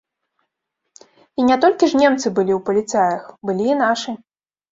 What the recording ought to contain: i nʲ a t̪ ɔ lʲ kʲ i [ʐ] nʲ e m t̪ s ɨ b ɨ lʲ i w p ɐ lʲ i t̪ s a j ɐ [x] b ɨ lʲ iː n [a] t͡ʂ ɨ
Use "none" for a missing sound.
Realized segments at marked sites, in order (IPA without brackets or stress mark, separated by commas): ʐ, x, a